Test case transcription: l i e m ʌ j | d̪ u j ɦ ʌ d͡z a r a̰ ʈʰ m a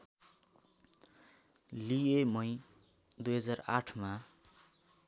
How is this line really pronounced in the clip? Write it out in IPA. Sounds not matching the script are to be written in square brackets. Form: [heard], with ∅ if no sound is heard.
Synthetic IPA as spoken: l i e m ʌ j | d̪ u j ɦ ʌ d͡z a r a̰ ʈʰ m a